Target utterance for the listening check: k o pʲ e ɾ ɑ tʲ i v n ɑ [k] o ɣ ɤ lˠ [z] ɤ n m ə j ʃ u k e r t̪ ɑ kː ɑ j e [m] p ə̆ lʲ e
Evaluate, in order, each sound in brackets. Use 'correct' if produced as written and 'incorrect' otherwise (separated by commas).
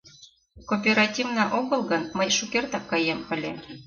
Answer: incorrect, incorrect, correct